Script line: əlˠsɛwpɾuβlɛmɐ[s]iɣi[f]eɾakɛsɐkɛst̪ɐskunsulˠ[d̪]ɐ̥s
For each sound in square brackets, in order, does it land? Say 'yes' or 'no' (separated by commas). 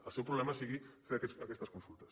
yes, yes, no